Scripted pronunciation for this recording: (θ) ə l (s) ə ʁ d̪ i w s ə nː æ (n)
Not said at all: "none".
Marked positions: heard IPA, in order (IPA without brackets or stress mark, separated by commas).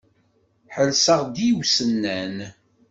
ħ, s, n